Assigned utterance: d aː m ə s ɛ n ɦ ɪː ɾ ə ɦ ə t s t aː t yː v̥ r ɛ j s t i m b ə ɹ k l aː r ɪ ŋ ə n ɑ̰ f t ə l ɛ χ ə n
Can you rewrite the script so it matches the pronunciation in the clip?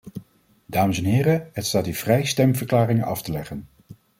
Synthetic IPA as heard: d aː m ə s ɛ n ɦ ɪː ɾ ə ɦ ə t s t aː t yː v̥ r ɛ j s t ɛ m v ə ɹ k l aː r ɪ ŋ ə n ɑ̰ f t ə l ɛ χ ə n